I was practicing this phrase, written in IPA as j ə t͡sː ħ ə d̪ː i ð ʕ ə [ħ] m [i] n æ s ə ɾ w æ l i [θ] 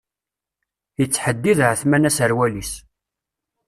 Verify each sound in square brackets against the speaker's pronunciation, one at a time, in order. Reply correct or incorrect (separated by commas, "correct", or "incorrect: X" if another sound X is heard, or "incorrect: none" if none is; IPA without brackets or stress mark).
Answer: incorrect: θ, incorrect: æ, incorrect: s